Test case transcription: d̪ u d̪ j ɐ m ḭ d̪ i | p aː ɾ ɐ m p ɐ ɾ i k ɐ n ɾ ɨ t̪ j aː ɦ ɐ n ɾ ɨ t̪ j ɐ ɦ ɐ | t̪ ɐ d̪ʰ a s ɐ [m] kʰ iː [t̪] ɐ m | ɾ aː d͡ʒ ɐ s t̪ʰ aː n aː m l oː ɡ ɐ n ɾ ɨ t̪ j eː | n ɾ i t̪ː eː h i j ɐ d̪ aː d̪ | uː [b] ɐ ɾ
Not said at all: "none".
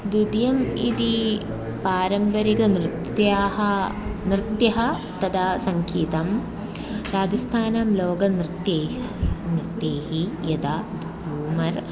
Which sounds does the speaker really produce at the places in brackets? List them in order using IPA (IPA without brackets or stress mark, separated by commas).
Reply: ŋ, t̪, m